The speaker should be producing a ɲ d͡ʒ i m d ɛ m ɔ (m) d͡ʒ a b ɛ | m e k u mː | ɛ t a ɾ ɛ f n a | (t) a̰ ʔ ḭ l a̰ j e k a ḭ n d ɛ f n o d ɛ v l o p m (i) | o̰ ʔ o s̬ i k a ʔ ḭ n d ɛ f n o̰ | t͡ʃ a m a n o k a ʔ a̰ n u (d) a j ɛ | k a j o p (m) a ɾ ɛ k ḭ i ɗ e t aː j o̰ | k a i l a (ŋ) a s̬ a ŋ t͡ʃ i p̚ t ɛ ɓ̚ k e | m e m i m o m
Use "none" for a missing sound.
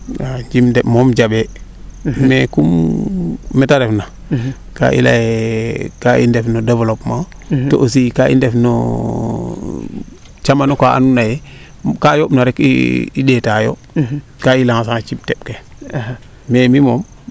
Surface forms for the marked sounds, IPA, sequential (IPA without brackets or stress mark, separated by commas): m, k, a, n, n, ŋ